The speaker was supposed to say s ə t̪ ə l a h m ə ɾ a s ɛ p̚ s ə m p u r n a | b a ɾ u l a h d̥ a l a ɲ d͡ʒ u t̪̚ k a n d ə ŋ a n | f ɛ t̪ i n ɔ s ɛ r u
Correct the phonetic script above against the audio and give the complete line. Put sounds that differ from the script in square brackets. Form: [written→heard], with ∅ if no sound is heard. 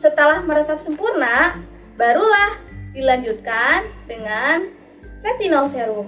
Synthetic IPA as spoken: s ə t̪ ə l a h m ə ɾ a s [ɛ→a] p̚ s ə m p u r n a | b a ɾ u l a h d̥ [a→i] l a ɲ d͡ʒ u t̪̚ k a n d ə ŋ a n | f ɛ t̪ i n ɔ s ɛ [r→ɾ] u